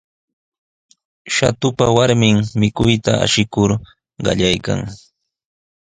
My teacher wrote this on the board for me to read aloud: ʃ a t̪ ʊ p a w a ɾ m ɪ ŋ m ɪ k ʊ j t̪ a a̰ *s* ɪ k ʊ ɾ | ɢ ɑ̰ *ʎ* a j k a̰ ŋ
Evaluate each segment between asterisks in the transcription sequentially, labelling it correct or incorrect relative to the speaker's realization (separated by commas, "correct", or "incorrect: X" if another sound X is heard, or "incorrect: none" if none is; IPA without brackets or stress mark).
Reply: incorrect: ʃ, correct